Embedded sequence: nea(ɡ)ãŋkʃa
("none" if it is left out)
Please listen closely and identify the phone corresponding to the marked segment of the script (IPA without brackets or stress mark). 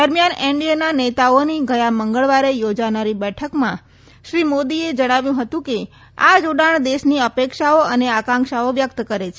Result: k